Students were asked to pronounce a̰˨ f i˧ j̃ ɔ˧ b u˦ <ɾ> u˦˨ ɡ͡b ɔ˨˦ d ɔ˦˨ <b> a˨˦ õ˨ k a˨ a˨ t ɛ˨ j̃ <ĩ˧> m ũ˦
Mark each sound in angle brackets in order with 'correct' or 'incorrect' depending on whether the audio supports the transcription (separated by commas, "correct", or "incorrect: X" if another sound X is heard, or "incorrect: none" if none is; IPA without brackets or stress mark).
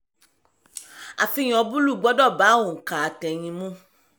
incorrect: l, correct, correct